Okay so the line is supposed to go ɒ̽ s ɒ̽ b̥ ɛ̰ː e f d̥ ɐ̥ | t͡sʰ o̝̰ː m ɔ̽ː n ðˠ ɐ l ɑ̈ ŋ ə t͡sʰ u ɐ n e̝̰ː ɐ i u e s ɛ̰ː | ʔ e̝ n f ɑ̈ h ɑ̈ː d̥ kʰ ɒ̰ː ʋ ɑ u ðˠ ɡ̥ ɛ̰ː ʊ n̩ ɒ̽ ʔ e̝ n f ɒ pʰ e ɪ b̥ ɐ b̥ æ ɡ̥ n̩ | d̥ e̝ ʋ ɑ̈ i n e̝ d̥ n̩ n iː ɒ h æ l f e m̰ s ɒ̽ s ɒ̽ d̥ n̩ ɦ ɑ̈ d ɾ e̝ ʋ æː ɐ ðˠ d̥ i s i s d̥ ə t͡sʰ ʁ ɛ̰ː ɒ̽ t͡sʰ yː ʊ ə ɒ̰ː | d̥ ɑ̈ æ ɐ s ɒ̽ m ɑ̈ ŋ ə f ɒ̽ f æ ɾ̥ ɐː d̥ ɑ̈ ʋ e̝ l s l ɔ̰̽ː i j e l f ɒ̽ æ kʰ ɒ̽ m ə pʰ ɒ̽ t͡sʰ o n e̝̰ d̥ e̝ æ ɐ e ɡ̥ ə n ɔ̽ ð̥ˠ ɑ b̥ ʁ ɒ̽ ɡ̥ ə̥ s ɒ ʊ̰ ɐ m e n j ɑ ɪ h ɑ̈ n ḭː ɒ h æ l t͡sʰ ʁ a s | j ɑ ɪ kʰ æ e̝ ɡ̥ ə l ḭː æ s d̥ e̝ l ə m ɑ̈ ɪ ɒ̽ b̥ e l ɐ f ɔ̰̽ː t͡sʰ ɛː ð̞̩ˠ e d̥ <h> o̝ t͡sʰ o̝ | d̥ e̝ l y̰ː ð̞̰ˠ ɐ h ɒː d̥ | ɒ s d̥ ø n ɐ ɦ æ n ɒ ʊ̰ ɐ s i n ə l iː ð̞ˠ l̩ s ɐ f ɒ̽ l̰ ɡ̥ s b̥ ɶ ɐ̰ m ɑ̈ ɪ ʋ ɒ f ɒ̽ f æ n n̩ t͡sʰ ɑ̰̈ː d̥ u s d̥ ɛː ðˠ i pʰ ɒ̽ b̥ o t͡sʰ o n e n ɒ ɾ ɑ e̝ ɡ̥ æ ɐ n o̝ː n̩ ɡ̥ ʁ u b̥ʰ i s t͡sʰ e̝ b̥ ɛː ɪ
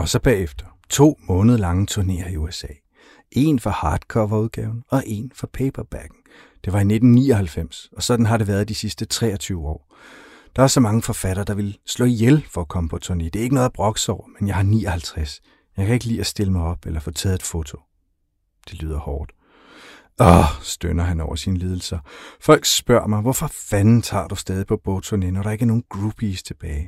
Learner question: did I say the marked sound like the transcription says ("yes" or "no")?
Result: no